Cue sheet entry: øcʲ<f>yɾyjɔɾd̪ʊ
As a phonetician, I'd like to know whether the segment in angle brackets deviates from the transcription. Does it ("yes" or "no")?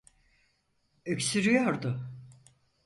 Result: yes